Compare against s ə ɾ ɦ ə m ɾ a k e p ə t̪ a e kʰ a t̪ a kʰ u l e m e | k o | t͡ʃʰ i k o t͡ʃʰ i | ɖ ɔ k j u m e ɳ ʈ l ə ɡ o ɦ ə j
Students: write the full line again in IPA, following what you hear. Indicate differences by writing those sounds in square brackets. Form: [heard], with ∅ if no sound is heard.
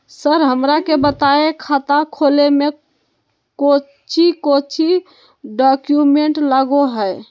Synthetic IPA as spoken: s ə ɾ ɦ ə m ɾ a k e [b] ə t̪ a e kʰ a t̪ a kʰ [o] l e m e | k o | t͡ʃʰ i k o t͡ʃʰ i | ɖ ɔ k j u m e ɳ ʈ l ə ɡ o ɦ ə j

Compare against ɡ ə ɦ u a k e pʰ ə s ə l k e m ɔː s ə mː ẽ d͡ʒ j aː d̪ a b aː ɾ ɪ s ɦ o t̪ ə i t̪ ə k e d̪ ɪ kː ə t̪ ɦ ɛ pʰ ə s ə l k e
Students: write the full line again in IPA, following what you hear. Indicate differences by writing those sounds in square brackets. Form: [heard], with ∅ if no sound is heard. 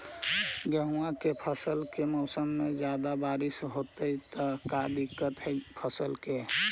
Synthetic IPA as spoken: ɡ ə ɦ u a k e pʰ ə s ə l k e m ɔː s ə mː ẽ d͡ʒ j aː d̪ a b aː ɾ ɪ s ɦ o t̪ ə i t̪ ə k [a] d̪ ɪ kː ə t̪ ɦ ɛ pʰ ə s ə l k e

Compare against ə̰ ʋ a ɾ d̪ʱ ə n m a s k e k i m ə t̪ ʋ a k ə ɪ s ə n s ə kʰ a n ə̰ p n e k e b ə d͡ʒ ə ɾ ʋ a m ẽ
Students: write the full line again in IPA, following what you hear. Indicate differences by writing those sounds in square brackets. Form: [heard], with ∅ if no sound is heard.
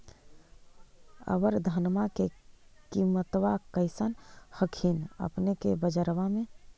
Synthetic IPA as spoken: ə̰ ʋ [ə] ɾ d̪ʱ ə n m a [∅] k e k i m ə t̪ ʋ a k ə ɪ s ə n [h] ə kʰ [i] n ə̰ p n e k e b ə d͡ʒ ə ɾ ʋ a m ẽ

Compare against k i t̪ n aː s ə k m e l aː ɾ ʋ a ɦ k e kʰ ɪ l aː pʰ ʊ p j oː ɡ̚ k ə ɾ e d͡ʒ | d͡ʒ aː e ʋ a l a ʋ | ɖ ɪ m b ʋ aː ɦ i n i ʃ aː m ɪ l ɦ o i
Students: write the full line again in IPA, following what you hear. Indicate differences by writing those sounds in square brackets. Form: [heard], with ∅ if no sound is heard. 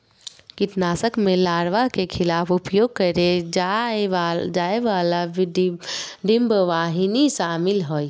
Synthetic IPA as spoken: k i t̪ n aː s ə k m e l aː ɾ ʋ a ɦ k e kʰ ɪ l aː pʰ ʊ p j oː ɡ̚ k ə ɾ e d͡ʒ | d͡ʒ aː e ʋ a l a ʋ | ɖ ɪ m b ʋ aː ɦ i n i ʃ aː m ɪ l ɦ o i

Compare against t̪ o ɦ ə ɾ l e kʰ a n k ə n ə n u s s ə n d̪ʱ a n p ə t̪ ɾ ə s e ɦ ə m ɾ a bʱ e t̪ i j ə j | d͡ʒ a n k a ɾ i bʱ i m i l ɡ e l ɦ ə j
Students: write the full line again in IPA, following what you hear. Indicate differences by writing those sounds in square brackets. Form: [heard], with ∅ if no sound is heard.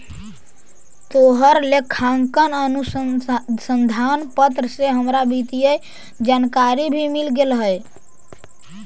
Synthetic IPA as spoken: t̪ o ɦ ə ɾ l e kʰ a [ŋ] k ə n ə n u s s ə n d̪ʱ a n p ə t̪ ɾ ə s e ɦ ə m ɾ a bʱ [i] t̪ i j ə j | d͡ʒ a n k a ɾ i bʱ i m i l ɡ e l ɦ ə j

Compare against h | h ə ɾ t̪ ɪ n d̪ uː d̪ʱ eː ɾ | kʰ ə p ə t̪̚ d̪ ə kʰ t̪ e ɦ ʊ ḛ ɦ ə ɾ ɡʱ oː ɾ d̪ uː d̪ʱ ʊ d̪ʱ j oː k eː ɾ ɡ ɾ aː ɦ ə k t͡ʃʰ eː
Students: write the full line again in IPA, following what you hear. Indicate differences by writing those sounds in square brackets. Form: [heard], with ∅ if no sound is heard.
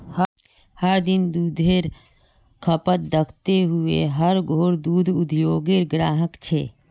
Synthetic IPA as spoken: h | h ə ɾ [d̪] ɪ n d̪ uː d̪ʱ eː ɾ | kʰ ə p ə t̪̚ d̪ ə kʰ t̪ e ɦ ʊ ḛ ɦ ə ɾ ɡʱ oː ɾ d̪ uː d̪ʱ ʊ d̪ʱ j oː [ɡ] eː ɾ ɡ ɾ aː ɦ ə k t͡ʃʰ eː

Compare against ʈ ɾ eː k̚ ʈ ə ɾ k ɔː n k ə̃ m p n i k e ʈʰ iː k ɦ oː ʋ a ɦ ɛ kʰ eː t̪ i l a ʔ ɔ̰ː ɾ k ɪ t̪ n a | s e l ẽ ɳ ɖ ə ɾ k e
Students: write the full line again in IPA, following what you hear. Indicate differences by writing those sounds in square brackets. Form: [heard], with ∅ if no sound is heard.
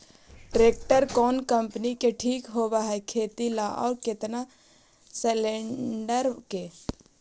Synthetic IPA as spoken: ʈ ɾ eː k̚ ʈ ə ɾ k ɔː n k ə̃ m p n i k e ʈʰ iː k ɦ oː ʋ a ɦ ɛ kʰ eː t̪ i l a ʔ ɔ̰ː ɾ k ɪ t̪ n a | s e l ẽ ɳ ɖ ə ɾ k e

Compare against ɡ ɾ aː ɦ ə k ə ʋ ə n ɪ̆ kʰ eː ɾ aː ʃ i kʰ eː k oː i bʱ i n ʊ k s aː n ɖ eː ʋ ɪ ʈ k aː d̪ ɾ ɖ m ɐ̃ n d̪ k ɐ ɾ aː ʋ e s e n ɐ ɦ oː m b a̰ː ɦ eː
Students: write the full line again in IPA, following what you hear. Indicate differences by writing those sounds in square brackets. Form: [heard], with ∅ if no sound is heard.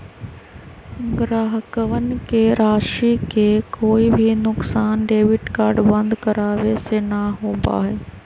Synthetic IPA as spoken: ɡ ɾ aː ɦ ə k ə ʋ ə n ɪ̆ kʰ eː ɾ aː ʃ i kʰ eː k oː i bʱ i n ʊ k s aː n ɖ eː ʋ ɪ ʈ k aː [∅] ɾ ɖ [b] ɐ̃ n d̪ k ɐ ɾ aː ʋ e s e n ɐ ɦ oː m b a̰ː ɦ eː

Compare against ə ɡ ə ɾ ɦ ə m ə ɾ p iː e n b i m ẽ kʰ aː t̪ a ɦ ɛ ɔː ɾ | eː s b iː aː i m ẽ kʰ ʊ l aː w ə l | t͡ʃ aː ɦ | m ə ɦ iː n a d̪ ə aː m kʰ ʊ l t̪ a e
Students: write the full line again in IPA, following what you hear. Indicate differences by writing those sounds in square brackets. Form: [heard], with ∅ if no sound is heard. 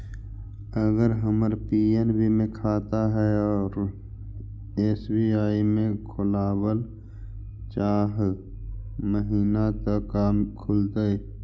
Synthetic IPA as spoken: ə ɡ ə ɾ ɦ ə m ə ɾ p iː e n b i m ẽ kʰ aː t̪ a ɦ ɛ ɔː ɾ | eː s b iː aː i m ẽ kʰ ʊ l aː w ə l | t͡ʃ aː ɦ | m ə ɦ iː n a [t̪] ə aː m kʰ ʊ l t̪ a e

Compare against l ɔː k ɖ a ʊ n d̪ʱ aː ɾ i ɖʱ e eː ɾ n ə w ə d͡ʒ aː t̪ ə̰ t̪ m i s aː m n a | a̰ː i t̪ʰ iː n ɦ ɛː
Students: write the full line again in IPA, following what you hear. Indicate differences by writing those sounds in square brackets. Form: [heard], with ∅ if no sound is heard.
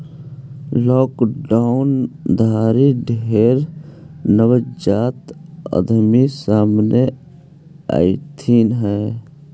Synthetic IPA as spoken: l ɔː k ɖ a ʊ n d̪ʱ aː ɾ i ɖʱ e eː ɾ n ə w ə d͡ʒ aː t̪ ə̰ [d̪] m i s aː m n [e] | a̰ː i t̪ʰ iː n ɦ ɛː

